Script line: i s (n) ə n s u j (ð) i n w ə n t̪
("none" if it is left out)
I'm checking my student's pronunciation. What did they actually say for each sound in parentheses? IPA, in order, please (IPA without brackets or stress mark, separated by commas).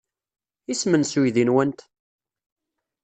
m, ð